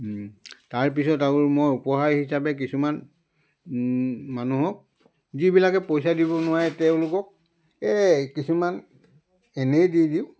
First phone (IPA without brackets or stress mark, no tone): t